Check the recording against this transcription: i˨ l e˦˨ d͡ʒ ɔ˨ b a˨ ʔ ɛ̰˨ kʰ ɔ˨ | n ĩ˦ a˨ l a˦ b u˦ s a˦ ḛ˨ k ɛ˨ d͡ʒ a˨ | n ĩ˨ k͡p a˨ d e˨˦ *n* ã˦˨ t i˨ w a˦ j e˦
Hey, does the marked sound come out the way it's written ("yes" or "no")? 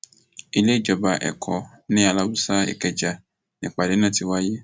yes